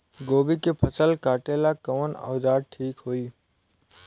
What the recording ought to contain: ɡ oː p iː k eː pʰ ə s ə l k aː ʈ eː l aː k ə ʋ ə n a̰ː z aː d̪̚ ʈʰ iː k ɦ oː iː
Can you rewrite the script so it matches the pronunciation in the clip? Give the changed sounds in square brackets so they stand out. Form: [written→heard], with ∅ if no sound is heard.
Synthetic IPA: ɡ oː [p→b] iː k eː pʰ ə s ə l k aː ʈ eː l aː k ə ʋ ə n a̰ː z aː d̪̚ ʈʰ iː k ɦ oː iː